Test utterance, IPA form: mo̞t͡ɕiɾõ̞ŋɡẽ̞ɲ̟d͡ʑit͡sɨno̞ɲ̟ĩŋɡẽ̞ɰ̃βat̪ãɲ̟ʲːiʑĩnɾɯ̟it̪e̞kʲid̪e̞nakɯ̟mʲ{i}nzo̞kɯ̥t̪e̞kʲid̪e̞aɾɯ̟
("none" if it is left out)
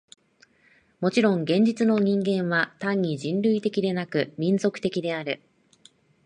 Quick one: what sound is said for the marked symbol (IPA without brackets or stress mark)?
ĩ